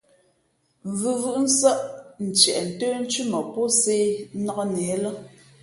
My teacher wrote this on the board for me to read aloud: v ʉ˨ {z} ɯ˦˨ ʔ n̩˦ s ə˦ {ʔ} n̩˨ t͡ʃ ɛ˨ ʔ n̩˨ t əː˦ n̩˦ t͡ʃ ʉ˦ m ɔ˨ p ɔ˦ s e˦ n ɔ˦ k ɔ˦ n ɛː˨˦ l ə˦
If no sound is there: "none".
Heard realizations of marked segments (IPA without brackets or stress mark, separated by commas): v, ʔ